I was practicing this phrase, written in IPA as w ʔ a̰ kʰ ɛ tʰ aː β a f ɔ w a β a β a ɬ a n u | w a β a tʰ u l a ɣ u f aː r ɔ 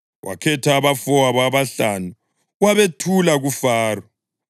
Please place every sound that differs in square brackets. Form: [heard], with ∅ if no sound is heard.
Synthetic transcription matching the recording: w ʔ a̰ kʰ ɛ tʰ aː β a f ɔ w a β a β a ɬ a n u | w a β [e] tʰ u l a ɣ u f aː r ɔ

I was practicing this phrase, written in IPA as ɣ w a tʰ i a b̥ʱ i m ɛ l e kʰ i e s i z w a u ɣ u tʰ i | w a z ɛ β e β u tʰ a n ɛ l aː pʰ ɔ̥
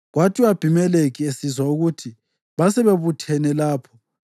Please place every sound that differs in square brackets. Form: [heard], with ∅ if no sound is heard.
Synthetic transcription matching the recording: ɣ w a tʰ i a b̥ʱ i m ɛ l e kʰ i e s i z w a u ɣ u tʰ i | [β] a [s] ɛ β e β u tʰ [ɛ] n ɛ l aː pʰ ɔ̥

